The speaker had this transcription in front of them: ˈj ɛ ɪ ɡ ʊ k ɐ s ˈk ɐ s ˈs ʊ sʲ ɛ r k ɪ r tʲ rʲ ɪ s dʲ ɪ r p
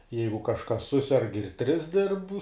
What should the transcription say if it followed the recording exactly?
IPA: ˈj ɛ ɪ ɡ ʊ k ɐ ʃ ˈk ɐ s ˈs ʊ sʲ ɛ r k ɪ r tʲ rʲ ɪ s dʲ ɪ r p